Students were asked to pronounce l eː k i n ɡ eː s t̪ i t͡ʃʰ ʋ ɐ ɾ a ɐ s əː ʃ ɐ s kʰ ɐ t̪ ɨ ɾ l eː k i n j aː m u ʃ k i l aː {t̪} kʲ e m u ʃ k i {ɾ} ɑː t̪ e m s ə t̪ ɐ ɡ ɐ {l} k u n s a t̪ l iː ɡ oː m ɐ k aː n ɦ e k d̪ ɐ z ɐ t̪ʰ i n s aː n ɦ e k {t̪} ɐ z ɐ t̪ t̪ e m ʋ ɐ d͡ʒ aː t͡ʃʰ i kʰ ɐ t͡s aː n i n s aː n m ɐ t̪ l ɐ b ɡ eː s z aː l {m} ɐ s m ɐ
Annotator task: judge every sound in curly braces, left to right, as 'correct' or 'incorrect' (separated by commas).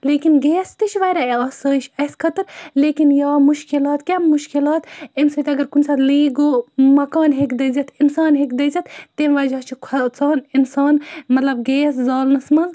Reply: correct, incorrect, incorrect, incorrect, incorrect